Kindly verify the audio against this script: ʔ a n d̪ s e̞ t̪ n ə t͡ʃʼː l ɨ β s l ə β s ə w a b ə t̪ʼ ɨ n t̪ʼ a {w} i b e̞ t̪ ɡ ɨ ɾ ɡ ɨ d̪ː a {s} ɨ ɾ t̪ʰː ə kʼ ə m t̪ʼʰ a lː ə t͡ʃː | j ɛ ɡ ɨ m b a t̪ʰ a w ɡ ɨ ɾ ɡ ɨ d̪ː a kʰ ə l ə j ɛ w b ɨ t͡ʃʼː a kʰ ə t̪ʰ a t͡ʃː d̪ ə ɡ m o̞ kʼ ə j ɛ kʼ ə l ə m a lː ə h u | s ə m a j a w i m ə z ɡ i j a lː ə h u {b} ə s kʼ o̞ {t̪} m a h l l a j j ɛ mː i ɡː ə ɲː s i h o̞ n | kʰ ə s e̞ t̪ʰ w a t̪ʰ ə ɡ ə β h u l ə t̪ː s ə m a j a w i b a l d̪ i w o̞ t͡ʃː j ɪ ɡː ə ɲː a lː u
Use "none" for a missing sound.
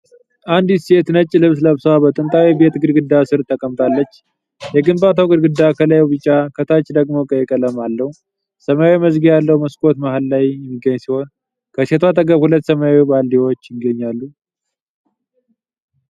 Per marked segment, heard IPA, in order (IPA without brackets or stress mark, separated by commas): w, s, m, t̪